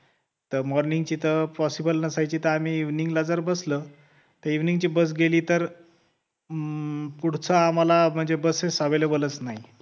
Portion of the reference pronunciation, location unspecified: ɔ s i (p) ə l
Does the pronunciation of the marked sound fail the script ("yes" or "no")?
yes